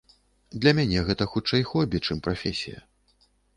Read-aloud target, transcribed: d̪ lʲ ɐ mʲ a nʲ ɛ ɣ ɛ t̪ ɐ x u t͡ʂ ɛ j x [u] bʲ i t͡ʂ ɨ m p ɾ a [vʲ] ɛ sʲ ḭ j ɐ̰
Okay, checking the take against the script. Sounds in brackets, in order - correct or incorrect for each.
incorrect: ɔ, incorrect: fʲ

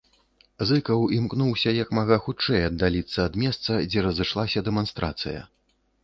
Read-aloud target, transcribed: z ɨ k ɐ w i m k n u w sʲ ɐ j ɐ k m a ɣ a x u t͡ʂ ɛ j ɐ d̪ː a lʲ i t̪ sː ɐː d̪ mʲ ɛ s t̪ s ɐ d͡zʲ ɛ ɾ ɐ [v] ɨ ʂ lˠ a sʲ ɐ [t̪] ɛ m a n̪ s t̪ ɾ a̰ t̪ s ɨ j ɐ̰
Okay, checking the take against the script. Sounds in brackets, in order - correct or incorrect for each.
incorrect: z, incorrect: d̪

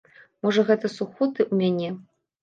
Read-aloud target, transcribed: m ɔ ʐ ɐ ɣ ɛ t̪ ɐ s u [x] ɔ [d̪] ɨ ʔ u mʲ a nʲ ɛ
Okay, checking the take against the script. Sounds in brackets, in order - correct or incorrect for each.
correct, incorrect: t̪

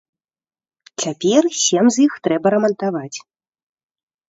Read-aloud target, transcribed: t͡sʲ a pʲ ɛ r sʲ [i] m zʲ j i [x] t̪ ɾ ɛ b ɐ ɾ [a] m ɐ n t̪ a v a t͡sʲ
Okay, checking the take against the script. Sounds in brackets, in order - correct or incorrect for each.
incorrect: ɛ, correct, incorrect: ɐ

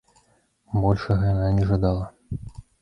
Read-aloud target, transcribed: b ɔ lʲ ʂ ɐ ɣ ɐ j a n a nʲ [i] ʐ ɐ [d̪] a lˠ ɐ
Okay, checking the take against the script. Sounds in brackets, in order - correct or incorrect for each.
incorrect: ɛ, correct

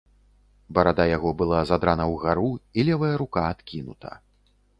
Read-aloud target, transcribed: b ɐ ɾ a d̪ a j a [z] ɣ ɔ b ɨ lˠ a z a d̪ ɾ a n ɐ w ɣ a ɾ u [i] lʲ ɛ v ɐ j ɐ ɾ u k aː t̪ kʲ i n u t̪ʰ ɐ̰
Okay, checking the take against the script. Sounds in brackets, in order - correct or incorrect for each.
incorrect: none, correct

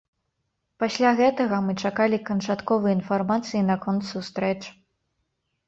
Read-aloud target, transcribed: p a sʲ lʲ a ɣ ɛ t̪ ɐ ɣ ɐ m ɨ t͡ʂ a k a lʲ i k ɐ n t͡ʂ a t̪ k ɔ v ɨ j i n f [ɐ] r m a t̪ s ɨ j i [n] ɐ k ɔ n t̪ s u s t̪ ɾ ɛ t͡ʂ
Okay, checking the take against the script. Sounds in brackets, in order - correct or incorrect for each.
incorrect: a, correct

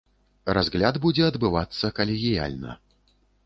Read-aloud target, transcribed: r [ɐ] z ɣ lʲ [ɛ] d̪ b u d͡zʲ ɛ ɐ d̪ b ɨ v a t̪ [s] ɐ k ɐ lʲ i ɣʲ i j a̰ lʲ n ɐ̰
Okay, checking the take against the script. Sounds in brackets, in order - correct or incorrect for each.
incorrect: a, incorrect: a, incorrect: sː

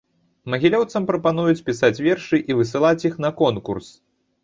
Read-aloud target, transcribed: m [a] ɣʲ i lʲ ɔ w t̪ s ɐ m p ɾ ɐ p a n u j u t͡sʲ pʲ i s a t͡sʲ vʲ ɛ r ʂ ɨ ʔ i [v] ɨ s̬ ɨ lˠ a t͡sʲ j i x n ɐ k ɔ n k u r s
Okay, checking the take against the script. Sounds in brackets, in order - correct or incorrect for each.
incorrect: ɐ, correct

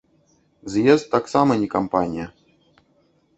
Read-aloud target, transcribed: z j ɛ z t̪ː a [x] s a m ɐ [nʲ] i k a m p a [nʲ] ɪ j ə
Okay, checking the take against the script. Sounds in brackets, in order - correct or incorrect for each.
incorrect: k, correct, correct

